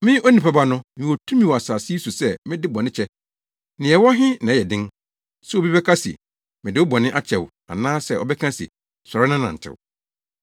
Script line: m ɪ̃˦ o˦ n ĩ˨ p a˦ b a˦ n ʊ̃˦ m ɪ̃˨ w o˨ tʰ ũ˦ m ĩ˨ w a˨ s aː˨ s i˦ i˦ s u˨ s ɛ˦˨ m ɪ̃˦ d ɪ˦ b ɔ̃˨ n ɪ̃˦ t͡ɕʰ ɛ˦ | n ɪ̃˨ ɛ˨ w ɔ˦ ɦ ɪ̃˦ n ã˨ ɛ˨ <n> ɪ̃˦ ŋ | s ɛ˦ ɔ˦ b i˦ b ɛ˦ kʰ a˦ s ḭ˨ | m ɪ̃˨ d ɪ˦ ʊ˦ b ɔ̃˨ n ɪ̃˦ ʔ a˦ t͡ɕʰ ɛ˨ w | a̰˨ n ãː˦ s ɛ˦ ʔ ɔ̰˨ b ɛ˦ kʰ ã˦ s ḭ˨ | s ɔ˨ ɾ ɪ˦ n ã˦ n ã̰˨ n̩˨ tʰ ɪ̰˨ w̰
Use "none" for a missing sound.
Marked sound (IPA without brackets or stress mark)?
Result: d